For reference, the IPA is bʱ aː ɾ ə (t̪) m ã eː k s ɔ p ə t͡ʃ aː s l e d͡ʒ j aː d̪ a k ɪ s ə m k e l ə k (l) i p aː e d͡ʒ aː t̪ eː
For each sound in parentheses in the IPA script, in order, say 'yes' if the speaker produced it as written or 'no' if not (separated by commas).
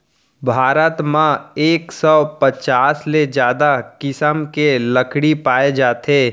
yes, no